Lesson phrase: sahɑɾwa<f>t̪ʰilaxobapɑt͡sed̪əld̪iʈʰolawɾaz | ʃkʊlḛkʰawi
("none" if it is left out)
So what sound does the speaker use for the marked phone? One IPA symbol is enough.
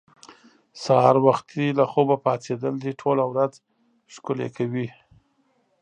x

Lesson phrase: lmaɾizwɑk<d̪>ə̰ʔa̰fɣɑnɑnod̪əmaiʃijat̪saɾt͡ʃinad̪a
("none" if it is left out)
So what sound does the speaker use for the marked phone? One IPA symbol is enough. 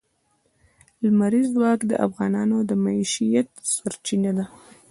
d̪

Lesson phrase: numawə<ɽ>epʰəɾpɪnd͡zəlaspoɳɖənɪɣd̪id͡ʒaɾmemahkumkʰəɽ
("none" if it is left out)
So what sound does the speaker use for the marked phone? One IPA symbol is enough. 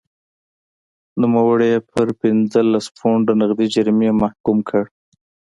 ɽ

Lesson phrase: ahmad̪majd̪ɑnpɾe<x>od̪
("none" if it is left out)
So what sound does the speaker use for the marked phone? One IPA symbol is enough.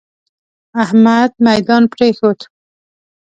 x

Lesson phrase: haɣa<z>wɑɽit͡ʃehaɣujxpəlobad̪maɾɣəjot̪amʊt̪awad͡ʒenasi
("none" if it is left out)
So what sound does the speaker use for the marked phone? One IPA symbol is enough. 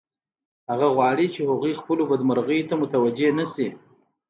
ɣ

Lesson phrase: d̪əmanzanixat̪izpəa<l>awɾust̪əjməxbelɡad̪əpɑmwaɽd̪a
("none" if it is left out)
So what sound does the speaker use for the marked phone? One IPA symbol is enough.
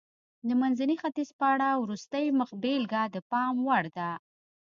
ɽ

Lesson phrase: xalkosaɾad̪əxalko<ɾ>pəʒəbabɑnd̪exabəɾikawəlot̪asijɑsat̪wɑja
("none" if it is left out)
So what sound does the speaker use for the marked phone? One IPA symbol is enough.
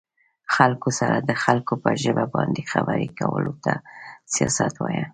none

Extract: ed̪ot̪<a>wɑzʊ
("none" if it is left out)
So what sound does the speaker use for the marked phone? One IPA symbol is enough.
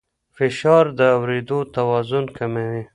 a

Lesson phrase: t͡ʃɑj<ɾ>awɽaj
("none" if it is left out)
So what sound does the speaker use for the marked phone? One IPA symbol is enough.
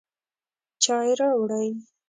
ɾ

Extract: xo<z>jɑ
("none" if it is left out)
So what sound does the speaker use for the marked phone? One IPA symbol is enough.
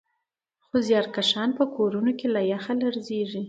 z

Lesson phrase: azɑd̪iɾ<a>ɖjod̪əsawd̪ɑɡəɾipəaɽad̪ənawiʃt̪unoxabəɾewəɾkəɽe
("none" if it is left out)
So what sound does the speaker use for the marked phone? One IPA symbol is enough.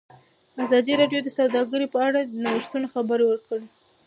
ɑ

